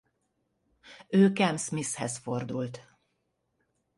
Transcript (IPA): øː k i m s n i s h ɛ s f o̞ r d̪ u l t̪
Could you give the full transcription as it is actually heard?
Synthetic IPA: øː k ɛ m s m i s h ɛ s f o̞ r d̪ u l t̪